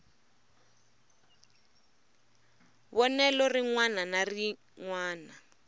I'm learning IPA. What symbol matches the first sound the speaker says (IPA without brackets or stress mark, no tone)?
β